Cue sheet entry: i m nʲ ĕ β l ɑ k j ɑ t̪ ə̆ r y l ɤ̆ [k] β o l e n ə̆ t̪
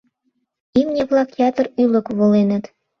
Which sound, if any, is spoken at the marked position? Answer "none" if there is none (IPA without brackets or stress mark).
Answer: k